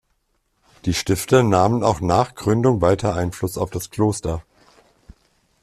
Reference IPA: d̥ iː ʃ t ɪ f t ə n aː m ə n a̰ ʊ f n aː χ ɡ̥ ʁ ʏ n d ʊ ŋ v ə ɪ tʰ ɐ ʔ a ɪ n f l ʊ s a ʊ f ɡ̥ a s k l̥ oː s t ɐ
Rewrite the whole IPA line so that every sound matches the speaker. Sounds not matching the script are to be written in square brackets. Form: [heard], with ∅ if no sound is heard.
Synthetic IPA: d̥ iː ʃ t ɪ f t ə n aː m ə n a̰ ʊ [x] n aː χ ɡ̥ ʁ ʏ n d ʊ ŋ v [a] ɪ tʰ ɐ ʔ a ɪ n f l ʊ s a ʊ f [d̥] a s k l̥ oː s t ɐ